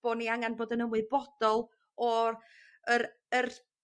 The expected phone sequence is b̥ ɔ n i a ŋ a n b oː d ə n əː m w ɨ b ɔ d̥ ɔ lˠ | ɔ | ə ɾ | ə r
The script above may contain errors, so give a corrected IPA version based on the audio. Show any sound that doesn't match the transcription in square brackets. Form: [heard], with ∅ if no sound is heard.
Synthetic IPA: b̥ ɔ n i a ŋ a n b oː d ə n [ə] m w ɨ b ɔ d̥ ɔ lˠ | ɔ | ə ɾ | ə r